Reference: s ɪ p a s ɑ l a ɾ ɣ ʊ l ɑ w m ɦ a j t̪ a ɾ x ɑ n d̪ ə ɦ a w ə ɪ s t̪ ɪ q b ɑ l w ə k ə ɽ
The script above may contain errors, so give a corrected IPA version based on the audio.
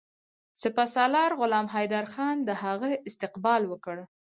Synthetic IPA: s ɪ p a s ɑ l ɑ ɾ ɣ ʊ l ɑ m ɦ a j d̪ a ɾ x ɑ n d̪ ə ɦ a ɣ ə ɪ s t̪ ɪ q b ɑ l w ə k ə ɽ